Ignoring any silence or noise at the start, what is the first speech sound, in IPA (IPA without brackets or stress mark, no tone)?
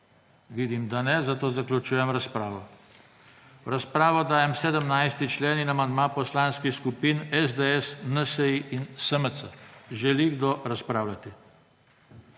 ʋ